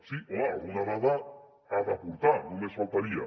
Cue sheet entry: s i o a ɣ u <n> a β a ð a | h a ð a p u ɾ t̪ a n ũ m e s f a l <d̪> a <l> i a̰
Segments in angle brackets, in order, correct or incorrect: correct, incorrect, incorrect

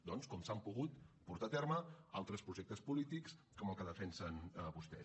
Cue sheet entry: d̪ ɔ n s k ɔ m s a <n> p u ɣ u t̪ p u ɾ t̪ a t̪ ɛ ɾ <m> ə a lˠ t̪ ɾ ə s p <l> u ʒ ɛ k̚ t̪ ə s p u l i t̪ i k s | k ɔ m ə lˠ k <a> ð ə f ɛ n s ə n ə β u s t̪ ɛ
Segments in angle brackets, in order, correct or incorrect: incorrect, correct, incorrect, incorrect

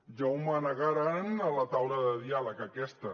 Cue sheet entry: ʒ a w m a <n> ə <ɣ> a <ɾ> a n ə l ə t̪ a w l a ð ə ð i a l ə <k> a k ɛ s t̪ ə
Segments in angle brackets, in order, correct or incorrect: correct, correct, correct, correct

